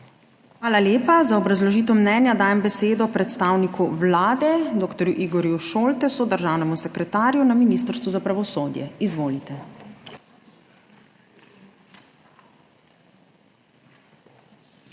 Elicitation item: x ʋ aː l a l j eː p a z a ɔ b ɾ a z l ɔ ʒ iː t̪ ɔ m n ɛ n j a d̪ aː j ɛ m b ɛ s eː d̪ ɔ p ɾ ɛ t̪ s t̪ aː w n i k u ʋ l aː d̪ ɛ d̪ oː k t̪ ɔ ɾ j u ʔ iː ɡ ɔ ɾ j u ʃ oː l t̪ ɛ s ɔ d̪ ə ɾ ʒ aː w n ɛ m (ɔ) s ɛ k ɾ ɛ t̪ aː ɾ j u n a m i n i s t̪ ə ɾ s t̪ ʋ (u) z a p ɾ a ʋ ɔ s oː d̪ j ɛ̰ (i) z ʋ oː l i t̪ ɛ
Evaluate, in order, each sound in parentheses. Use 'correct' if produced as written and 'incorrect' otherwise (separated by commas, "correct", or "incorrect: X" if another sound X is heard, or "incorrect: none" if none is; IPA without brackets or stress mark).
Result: incorrect: u, correct, correct